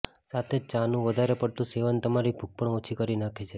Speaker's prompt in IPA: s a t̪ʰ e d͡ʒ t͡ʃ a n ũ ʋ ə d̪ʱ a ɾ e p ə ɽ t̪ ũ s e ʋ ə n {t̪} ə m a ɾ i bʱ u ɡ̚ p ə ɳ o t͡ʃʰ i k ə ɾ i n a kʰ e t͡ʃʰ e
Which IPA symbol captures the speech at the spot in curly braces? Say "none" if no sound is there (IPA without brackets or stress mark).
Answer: t̪